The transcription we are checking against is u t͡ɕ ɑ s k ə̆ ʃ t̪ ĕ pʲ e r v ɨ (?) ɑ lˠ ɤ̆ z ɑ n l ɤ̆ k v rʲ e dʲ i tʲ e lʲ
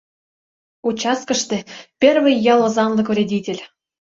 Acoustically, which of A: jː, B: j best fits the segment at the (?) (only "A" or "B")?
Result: A